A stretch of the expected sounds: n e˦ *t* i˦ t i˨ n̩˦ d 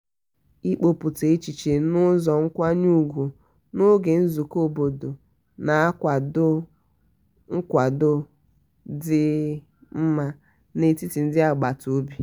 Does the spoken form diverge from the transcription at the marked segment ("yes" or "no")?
no